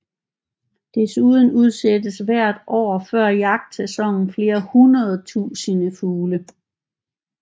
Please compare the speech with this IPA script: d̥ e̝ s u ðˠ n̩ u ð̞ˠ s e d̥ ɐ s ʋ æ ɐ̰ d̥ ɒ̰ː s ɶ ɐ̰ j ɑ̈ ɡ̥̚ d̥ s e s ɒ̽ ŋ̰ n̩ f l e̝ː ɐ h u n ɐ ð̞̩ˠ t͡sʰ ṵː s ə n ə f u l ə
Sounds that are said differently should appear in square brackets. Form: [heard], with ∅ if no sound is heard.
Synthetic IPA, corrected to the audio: d̥ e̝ s u ðˠ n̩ u ð̞ˠ s e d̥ [ə] s ʋ æ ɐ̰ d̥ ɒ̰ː [f] ɶ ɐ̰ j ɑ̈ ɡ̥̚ d̥ s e s ɒ̽ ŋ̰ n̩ f l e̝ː ɐ h u n ɐ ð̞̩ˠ t͡sʰ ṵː s ə n ə f [uː] l ə